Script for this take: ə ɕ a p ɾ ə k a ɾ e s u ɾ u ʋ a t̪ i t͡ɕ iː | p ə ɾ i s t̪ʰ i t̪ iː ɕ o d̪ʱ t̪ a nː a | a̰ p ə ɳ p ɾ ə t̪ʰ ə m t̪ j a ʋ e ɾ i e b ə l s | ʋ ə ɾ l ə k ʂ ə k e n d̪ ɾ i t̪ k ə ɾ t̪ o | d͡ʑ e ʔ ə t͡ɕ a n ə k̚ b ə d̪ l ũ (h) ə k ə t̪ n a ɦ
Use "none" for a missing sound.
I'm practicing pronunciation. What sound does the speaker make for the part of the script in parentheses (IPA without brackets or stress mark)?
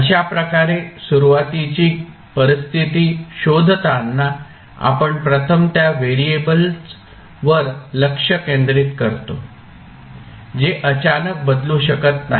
ɕ